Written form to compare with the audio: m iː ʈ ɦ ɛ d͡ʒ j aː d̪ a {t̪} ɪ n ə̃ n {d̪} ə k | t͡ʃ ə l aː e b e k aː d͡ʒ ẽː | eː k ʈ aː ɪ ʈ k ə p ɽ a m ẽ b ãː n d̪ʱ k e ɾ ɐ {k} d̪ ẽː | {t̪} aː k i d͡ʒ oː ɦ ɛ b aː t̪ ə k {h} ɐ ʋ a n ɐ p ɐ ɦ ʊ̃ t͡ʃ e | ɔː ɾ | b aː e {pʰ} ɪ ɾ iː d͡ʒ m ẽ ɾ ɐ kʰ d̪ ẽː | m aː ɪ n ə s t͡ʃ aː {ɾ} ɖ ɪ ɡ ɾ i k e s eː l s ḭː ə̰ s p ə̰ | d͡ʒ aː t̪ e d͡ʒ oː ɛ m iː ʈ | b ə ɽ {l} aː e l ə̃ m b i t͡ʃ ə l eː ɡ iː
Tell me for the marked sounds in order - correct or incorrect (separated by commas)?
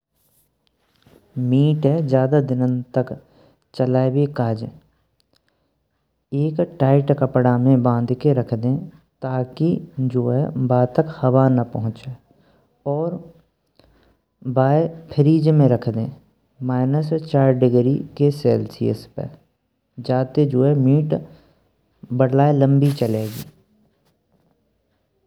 incorrect, incorrect, incorrect, correct, correct, correct, correct, correct